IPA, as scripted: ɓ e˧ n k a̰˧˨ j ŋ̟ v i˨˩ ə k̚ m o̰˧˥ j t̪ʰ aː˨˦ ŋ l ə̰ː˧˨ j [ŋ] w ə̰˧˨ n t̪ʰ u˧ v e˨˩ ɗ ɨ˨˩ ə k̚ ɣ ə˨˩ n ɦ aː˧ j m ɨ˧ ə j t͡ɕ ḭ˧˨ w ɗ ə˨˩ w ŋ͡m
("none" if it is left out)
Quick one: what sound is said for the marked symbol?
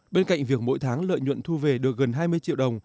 ɲ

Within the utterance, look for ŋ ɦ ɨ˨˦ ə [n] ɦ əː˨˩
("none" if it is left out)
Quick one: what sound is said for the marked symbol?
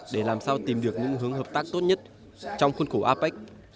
ŋ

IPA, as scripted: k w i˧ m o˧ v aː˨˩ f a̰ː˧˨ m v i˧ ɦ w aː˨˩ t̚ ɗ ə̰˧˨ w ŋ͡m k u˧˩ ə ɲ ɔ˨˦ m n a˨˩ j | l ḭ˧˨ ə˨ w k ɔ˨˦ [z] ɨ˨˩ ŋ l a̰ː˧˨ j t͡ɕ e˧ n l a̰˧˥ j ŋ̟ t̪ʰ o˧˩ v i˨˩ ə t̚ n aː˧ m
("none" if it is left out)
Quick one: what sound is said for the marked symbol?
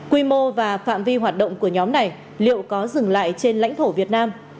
z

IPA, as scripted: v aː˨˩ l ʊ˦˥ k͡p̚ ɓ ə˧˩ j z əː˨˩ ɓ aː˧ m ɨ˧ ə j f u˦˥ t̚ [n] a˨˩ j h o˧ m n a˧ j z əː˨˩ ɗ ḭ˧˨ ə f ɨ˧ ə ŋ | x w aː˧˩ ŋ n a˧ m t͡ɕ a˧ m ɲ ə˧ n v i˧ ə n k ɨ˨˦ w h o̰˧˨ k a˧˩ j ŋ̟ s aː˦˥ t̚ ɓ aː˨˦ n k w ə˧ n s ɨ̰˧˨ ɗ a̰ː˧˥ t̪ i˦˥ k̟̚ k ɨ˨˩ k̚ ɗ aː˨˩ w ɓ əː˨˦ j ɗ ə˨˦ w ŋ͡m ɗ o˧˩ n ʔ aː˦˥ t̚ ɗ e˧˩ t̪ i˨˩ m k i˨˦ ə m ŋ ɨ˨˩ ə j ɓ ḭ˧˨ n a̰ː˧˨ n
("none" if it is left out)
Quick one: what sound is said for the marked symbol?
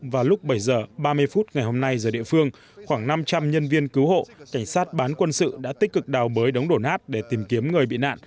ŋ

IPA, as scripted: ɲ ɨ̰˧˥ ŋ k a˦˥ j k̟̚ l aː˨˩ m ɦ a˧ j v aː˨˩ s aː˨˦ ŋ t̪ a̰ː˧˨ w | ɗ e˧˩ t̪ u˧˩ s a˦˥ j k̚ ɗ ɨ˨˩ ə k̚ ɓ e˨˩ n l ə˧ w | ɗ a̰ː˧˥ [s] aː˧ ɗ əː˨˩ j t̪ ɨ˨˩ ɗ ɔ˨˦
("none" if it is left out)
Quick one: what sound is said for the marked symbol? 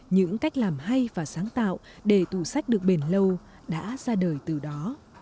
z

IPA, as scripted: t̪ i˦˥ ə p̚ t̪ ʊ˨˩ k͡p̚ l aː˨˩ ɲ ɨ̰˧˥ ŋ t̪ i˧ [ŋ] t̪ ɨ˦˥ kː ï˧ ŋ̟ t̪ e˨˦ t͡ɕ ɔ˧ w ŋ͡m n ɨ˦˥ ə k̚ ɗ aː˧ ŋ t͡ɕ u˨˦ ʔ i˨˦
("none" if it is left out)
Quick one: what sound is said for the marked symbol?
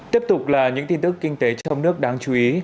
n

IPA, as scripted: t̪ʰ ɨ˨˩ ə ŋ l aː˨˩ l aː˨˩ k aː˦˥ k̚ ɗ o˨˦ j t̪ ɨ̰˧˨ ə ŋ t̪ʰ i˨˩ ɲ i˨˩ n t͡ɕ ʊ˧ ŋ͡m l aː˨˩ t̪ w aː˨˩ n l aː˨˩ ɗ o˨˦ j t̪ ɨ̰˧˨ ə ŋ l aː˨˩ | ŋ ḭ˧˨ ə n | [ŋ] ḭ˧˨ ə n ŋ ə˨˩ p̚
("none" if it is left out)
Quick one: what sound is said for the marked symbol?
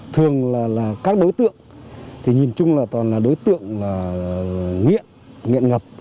ŋ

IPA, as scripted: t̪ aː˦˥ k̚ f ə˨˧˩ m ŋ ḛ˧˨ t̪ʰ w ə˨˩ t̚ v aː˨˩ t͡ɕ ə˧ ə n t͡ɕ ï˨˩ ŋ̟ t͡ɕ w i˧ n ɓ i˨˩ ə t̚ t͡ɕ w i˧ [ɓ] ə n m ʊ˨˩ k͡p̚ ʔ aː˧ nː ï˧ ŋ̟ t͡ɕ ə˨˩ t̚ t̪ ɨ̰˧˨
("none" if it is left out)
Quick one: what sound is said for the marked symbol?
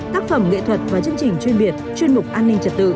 none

